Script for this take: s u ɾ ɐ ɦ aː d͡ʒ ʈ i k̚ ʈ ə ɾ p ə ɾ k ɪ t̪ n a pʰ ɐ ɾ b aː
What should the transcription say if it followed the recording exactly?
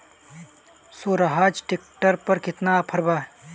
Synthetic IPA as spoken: s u ɾ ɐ ɦ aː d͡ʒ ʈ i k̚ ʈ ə ɾ p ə ɾ k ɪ t̪ n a pʰ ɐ ɾ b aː